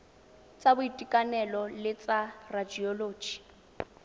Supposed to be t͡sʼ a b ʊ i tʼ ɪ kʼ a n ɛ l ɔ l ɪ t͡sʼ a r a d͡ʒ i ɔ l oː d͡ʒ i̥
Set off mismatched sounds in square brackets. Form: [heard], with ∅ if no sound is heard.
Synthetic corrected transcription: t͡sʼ a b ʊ i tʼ [i] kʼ a n ɛ l ɔ l ɪ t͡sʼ a r a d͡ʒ i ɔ l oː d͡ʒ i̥